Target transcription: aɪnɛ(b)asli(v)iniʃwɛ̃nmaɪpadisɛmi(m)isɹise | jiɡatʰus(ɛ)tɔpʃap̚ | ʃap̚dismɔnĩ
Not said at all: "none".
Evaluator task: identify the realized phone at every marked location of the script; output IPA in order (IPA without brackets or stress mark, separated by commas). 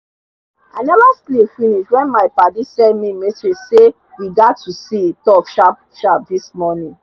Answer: v, f, m, i